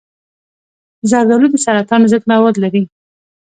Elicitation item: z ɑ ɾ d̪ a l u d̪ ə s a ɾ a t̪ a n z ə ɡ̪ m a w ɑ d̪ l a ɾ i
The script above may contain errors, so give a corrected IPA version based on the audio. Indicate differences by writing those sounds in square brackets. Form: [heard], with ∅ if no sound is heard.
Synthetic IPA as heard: z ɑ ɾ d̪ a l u d̪ ə s a ɾ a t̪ [ɑ] n z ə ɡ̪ m a w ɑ d̪ l a ɾ i